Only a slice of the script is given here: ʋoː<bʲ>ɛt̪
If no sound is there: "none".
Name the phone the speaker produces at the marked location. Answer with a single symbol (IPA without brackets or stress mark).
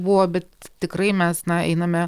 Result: bʲ